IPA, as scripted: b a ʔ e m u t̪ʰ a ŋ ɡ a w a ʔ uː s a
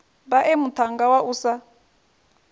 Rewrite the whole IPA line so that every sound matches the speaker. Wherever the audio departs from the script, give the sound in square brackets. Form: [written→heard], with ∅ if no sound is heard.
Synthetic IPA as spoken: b a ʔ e m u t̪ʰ a ŋ ɡ a w a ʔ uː s a